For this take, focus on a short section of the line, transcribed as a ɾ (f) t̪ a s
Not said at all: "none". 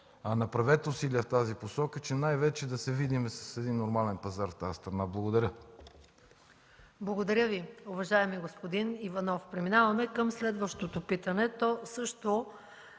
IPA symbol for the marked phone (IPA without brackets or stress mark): f